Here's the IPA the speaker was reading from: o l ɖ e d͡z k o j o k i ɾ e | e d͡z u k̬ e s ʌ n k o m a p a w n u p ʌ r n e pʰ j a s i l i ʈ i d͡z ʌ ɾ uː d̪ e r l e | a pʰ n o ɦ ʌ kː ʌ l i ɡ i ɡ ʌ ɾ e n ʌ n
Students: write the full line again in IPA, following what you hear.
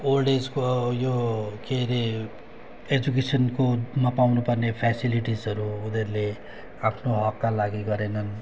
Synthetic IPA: o l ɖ e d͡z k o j o k e ɾ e | e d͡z u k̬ e s ʌ n k o m a p a w n u p ʌ r n e pʰ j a s i l i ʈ i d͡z ʌ ɾ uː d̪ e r l e | a pʰ n o ɦ ʌ kː a l a ɡ i ɡ ʌ ɾ e n ʌ n